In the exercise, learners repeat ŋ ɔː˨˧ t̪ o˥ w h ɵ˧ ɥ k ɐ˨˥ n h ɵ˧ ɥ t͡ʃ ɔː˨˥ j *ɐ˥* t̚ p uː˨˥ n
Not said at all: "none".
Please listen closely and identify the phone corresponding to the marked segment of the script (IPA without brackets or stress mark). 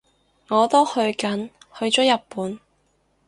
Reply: ɐ˨